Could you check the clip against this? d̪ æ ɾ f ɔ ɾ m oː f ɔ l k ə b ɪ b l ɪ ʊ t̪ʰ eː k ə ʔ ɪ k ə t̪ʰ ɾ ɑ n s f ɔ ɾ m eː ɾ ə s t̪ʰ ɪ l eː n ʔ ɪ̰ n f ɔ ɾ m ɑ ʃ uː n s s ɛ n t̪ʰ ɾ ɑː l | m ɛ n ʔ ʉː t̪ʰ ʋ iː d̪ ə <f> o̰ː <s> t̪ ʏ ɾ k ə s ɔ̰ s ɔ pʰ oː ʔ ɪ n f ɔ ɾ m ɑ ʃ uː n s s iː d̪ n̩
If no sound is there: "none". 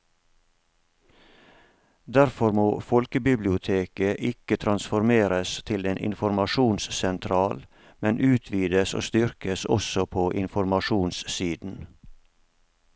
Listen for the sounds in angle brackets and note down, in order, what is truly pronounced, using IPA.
s, s

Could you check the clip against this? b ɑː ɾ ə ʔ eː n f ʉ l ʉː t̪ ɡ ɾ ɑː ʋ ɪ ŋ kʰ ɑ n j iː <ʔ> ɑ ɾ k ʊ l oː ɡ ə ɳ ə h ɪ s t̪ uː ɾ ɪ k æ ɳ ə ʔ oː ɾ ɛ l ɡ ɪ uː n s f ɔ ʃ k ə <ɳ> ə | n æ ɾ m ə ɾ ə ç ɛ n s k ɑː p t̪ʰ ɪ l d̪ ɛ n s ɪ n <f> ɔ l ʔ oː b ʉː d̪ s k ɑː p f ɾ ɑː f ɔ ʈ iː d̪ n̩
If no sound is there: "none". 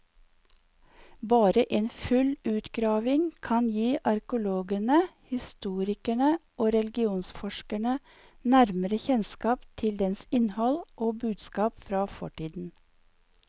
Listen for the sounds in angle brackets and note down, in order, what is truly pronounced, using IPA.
ʔ, ɳ, h

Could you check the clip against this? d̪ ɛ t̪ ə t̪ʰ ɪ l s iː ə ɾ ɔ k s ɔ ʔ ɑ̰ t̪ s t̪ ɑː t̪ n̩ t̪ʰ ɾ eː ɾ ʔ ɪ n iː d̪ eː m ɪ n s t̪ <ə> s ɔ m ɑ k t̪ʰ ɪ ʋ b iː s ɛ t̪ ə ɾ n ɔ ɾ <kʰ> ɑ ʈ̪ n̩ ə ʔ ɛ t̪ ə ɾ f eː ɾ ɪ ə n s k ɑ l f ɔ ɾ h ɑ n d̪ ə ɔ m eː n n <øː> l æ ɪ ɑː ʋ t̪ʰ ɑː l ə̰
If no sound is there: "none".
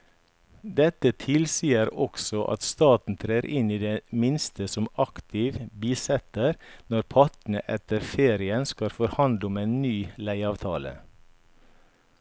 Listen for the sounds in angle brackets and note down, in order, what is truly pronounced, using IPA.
ə, pʰ, yː

